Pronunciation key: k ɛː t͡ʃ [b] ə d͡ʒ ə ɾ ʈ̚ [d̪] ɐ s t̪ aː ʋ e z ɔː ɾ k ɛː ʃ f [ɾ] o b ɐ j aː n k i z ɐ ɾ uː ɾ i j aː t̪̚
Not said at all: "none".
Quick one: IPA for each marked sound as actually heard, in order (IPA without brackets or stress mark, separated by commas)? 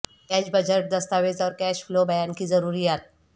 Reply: b, d̪, l